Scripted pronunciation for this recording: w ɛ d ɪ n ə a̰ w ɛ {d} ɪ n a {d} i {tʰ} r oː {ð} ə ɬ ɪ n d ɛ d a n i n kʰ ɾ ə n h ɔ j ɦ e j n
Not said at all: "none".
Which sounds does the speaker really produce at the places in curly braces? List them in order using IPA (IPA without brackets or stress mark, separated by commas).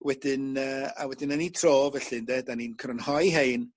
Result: d, n, tʰ, v